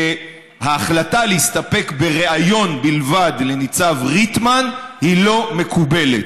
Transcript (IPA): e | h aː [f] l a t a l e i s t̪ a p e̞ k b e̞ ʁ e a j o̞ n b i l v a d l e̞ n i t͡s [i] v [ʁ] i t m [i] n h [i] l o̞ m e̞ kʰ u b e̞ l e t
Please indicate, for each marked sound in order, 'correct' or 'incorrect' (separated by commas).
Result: incorrect, incorrect, correct, incorrect, correct